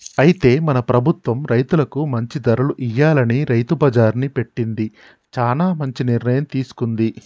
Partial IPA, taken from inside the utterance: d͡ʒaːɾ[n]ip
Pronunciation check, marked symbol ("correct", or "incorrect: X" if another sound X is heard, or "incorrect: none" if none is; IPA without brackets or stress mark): correct